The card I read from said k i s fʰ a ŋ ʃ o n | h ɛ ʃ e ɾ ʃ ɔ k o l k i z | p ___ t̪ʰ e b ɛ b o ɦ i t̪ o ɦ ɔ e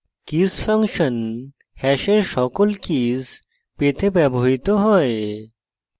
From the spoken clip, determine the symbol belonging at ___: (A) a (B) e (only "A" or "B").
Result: B